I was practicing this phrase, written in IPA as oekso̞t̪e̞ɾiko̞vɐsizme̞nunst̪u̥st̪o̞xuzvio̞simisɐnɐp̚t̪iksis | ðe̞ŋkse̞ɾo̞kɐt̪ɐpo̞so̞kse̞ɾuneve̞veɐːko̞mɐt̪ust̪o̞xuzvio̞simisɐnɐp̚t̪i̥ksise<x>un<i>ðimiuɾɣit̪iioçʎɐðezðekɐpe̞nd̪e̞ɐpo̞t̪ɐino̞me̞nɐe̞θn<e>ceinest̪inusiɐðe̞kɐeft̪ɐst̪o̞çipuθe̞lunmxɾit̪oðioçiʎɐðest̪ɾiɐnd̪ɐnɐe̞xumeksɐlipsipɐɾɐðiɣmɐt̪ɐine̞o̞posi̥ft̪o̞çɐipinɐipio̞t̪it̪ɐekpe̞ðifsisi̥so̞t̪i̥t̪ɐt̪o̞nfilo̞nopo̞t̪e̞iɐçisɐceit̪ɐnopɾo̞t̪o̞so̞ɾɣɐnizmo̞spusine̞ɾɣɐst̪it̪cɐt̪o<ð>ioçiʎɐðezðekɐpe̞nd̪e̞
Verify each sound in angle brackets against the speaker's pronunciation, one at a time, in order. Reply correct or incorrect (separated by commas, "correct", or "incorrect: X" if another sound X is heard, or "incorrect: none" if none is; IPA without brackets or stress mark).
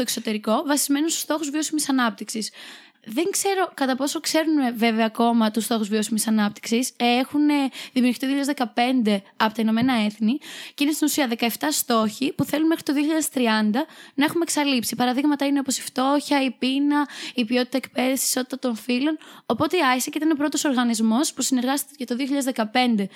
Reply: correct, incorrect: e, incorrect: i, correct